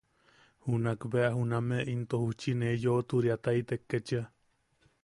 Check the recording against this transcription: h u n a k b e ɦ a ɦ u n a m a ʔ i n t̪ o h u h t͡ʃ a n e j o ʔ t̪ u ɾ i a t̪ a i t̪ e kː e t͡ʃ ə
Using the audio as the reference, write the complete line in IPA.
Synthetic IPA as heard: h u n a k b e a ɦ u n a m e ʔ i n t̪ o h u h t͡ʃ i n e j o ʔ t̪ u ɾ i a t̪ a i t̪ e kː e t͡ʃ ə